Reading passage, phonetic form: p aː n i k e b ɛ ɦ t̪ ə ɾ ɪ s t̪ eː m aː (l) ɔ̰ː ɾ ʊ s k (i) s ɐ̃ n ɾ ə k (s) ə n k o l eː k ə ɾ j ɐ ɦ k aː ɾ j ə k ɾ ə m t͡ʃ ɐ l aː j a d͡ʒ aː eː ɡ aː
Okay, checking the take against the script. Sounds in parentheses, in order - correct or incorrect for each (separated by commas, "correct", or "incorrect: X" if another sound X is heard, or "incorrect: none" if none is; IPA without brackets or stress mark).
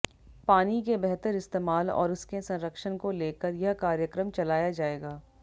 correct, incorrect: e, incorrect: ʃ